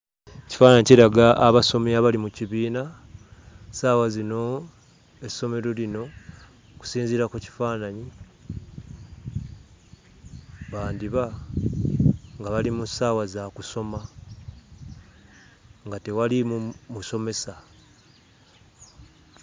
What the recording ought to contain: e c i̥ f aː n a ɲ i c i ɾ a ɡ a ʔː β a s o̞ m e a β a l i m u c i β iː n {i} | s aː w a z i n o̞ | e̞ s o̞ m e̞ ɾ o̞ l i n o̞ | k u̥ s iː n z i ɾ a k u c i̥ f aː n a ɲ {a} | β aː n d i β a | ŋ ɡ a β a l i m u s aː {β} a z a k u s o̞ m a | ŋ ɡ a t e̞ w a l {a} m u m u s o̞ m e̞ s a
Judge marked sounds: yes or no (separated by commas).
no, no, no, no